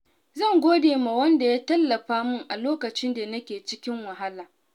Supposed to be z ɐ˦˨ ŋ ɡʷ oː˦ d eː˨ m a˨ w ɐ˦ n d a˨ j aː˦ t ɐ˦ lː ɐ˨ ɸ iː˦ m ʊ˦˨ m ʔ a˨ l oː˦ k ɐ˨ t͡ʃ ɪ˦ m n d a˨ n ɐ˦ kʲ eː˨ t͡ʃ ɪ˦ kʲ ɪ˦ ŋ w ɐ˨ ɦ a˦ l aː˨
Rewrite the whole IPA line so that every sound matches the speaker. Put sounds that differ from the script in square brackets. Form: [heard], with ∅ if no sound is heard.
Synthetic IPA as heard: z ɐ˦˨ ŋ ɡʷ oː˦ d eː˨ m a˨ w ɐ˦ n d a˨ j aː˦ t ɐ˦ lː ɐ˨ ɸ [aː˦] m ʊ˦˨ [ŋ] ʔ a˨ l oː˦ k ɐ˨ t͡ʃ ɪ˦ [∅] n d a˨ n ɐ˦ kʲ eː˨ t͡ʃ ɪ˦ kʲ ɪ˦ ŋ w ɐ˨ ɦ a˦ l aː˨